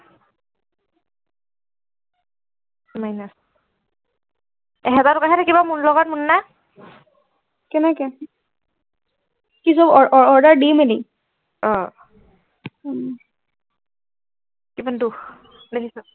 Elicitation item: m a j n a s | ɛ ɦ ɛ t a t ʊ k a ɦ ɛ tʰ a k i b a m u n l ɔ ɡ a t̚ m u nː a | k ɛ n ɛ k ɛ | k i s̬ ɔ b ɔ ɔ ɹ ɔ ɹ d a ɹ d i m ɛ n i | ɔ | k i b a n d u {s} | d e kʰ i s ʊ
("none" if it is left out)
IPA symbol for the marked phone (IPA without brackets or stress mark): x